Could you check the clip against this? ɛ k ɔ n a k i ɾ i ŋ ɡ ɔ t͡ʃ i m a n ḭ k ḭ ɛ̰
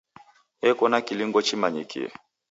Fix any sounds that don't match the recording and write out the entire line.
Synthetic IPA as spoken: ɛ k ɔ n a k i l i ŋ ɡ ɔ t͡ʃ i m a ɲ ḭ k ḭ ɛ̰